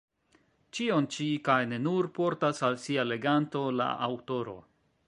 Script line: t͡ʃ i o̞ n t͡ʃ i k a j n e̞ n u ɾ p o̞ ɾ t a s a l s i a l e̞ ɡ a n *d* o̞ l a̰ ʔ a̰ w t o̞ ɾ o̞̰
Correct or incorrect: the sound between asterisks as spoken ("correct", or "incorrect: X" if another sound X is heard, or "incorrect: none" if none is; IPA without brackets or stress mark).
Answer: incorrect: t